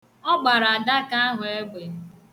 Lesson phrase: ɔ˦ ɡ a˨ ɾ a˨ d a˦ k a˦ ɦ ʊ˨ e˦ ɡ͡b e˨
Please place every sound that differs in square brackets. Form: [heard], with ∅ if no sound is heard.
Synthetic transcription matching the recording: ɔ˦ [ɡ͡b] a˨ ɾ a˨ d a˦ k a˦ ɦ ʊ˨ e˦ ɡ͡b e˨